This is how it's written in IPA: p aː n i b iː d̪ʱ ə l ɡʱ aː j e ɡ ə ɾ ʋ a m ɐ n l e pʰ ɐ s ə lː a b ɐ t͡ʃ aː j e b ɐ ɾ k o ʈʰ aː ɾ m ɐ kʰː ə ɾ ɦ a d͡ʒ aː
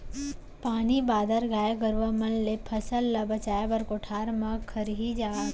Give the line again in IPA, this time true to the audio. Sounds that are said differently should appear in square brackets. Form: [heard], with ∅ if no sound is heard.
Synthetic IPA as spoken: p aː n i b [aː] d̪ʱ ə [ɾ] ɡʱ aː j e ɡ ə ɾ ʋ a m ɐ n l e pʰ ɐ s ə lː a b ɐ t͡ʃ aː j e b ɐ ɾ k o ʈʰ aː ɾ m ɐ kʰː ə ɾ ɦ [i] d͡ʒ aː